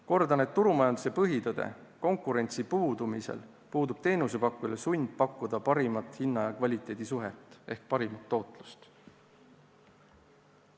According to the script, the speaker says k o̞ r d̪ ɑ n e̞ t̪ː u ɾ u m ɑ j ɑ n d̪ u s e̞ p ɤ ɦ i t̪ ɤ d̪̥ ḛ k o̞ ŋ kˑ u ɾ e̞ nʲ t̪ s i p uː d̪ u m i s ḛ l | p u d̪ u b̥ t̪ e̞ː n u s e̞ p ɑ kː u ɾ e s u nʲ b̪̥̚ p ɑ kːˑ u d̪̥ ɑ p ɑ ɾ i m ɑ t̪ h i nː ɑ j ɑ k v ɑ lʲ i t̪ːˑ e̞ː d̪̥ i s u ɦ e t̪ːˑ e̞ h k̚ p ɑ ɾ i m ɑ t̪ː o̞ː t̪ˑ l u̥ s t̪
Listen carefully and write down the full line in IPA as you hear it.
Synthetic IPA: k o̞ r d̪ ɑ n e̞ t̪ː u ɾ u m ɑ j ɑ n d̪ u s e̞ p ɤ ɦ i t̪ ɤ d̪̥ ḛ k o̞ ŋ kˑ u ɾ e̞ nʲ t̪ s i p uː d̪ u m i s ḛ l | p uː d̪ u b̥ t̪ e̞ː n u s e̞ p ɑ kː u l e s u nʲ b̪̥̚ p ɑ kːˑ u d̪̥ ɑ p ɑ ɾ i m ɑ t̪ h i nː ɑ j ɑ k v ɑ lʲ i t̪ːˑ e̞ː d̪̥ i s u ɦ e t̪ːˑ e̞ h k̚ p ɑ ɾ i m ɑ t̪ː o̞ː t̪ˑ l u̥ s t̪